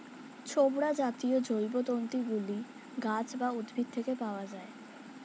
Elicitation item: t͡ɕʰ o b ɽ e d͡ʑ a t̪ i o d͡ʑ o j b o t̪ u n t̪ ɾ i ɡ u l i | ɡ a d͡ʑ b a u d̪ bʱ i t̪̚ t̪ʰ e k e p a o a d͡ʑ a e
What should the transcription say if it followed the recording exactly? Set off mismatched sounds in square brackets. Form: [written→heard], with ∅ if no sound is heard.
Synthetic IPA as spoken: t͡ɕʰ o b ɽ [e→a] d͡ʑ a t̪ i o d͡ʑ o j b o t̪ [u→o] n t̪ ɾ i ɡ u l i | ɡ a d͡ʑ b a u d̪ bʱ i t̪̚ t̪ʰ e k e p a o a d͡ʑ a e